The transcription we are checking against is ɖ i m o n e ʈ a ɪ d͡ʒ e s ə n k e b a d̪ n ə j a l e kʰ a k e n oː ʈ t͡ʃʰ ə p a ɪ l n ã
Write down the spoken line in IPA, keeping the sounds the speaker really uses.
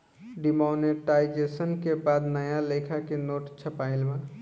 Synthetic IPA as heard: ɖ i m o n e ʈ a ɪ d͡ʒ e s ə n k e b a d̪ n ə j a l e kʰ a k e n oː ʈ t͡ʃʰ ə p a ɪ l m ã